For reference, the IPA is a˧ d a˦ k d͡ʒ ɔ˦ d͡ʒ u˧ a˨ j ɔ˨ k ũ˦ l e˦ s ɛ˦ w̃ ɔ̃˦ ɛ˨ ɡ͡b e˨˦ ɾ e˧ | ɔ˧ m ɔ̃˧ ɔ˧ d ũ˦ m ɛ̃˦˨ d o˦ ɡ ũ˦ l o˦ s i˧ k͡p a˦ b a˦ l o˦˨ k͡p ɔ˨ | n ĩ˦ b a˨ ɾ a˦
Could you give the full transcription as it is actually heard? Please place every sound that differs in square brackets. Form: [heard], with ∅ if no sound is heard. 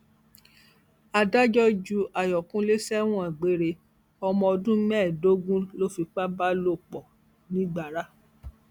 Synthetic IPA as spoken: a˧ d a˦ [∅] d͡ʒ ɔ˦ d͡ʒ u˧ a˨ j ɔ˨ k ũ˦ l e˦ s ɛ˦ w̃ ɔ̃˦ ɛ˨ ɡ͡b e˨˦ ɾ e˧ | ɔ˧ m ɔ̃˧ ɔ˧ d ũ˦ m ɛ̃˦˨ d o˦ ɡ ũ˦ l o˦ [f] i˧ k͡p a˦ b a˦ l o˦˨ k͡p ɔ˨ | n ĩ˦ [ɡ͡b] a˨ ɾ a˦